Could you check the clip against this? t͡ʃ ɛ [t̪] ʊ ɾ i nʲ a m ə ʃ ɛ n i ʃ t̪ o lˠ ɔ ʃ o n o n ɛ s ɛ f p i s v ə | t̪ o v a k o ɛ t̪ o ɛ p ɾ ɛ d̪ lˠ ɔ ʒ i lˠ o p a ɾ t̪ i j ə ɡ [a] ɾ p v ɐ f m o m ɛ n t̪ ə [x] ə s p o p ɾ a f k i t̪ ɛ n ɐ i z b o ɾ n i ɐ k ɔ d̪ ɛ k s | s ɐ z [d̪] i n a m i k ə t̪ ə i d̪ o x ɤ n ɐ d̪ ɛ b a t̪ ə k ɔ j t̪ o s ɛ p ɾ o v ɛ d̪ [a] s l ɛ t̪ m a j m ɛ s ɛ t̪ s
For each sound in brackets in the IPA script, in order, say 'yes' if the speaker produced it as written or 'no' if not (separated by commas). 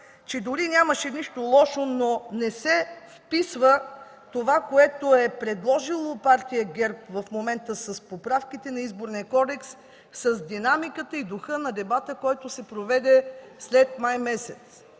no, no, no, yes, no